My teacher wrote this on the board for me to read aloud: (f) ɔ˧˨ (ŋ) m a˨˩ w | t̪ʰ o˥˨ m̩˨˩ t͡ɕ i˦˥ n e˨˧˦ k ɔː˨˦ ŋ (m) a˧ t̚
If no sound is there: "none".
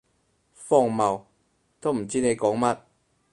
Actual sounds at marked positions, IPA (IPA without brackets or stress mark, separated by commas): f, ŋ, m